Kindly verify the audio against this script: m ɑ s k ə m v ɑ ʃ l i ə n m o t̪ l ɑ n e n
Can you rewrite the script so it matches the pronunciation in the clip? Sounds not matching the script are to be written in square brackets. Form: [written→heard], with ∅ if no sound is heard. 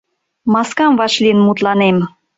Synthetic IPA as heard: m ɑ s k [ə→ɑ] m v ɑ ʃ l i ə n m [o→u] t̪ l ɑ n e [n→m]